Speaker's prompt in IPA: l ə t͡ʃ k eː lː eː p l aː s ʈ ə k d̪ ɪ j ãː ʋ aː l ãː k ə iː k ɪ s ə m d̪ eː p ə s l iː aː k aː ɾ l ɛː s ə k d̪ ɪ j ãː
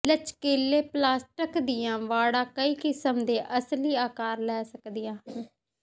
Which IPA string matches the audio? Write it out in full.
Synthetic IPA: l ə t͡ʃ k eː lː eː p l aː s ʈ ə k d̪ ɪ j ãː ʋ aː ɽ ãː k ə iː k ɪ s ə m d̪ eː ʔ ə s l iː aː k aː ɾ l ɛː s ə k d̪ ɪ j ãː